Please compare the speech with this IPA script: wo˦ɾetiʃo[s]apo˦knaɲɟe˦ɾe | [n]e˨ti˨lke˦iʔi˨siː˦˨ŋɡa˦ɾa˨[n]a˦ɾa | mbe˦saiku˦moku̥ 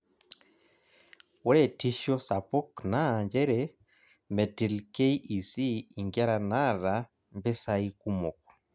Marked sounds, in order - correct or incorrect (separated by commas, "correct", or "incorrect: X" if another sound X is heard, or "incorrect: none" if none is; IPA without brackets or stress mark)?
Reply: correct, incorrect: m, correct